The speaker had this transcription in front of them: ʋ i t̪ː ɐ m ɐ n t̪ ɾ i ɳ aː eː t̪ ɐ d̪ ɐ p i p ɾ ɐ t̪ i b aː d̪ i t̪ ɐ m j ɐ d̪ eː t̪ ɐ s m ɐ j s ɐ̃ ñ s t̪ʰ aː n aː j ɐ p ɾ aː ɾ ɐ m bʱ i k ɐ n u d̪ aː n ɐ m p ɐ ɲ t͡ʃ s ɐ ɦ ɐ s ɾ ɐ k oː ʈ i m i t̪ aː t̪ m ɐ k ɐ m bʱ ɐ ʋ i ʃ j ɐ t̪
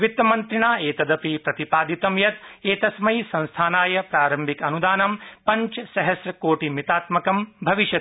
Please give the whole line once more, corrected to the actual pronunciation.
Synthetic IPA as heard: ʋ i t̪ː ɐ m ɐ n t̪ ɾ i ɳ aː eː t̪ ɐ d̪ ɐ p i p ɾ ɐ t̪ i p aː d̪ i t̪ ɐ m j ɐ t̪ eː t̪ ɐ s m ɐ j s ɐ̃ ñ s t̪ʰ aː n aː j ɐ p ɾ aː ɾ ɐ m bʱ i k ɐ n u d̪ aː n ɐ m p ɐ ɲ t͡ʃ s ɐ ɦ ɐ s ɾ ɐ k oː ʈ i m i t̪ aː t̪ m ɐ k ɐ m bʱ ɐ ʋ i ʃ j ɐ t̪